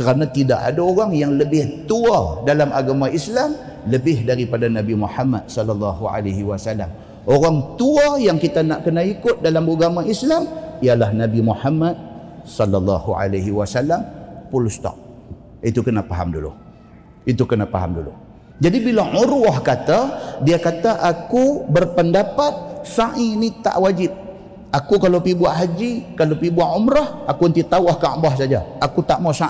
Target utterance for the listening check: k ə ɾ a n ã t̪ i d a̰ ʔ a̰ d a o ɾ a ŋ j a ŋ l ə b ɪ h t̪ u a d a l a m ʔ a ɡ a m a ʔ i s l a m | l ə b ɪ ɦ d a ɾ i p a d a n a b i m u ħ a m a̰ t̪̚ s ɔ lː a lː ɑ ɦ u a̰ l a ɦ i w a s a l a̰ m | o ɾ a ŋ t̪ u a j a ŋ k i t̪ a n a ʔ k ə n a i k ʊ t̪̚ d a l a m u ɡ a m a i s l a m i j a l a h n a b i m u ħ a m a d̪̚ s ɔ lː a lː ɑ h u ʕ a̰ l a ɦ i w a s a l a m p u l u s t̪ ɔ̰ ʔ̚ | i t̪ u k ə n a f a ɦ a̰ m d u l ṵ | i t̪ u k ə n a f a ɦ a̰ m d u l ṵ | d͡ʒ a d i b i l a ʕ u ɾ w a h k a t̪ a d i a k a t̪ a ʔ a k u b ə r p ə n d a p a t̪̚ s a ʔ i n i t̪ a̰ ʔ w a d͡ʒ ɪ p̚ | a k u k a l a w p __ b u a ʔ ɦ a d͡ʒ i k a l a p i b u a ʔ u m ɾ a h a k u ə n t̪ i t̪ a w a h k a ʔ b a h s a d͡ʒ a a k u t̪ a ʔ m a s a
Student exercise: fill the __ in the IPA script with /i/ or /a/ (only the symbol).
i